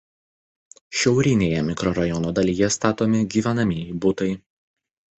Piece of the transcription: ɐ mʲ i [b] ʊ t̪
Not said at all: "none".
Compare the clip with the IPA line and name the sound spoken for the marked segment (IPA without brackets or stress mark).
b